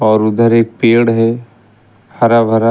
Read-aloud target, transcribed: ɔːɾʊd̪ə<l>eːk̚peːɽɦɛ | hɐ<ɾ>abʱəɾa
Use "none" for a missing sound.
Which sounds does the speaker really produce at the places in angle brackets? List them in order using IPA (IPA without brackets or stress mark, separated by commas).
ɾ, ɾ